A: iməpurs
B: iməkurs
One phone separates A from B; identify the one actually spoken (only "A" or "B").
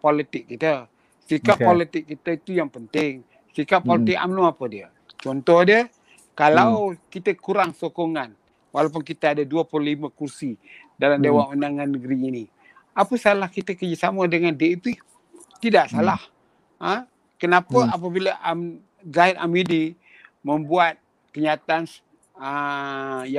B